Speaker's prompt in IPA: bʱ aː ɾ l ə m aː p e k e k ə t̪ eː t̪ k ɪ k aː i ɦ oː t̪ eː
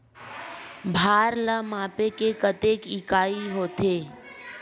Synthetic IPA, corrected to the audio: bʱ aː ɾ l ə m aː p e k e k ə t̪ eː k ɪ k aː i ɦ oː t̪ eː